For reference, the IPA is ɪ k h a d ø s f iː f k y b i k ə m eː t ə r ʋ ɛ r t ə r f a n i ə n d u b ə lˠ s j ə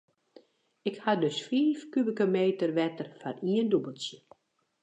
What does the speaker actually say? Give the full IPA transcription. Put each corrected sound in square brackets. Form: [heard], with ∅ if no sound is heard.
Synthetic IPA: ɪ k h a d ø s f iː f k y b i k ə m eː t ə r ʋ ɛ [∅] t ə r f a n i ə n d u b ə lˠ s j ə